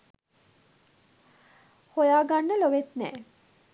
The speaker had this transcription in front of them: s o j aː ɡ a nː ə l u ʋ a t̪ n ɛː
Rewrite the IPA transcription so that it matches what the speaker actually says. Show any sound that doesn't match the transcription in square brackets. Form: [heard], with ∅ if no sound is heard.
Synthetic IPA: [h] o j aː ɡ a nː ə l [o] ʋ [e] t̪ n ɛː